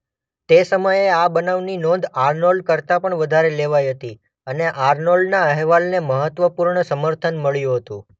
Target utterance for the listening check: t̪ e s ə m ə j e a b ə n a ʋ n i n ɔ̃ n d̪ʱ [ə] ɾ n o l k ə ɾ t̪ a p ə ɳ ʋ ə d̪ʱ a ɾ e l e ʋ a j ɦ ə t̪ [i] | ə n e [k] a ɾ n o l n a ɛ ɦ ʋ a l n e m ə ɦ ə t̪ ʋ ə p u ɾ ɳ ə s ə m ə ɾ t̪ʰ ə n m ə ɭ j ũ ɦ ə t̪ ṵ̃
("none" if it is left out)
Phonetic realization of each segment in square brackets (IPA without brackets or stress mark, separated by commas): a, i, ʔ